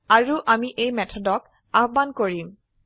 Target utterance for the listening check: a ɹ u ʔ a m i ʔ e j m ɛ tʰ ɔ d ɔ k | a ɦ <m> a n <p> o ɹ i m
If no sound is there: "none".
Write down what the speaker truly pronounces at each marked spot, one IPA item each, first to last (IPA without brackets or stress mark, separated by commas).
b, k